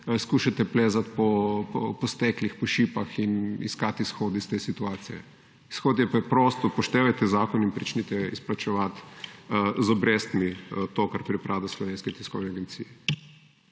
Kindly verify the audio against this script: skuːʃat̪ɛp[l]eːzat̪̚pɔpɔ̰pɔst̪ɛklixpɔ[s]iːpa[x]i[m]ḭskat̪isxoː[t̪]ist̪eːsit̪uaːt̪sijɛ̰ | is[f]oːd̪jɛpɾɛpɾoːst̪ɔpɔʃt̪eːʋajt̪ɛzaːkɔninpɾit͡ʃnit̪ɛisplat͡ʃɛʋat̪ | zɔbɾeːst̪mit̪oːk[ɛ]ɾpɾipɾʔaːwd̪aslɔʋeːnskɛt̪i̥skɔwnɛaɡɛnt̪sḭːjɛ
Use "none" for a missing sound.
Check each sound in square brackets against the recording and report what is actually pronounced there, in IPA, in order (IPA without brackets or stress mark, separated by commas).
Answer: l, ʃ, x, n, d̪, x, a